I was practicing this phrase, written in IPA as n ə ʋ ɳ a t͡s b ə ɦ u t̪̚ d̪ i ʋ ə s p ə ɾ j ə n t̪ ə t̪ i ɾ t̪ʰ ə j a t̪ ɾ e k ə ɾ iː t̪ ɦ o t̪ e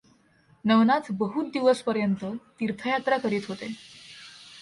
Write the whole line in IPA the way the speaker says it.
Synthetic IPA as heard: n ə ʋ n a t͡s b ə ɦ u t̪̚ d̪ i ʋ ə s p ə ɾ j ə n t̪ ə t̪ i ɾ t̪ʰ ə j a t̪ ɾ a k ə ɾ iː t̪ ɦ o t̪ e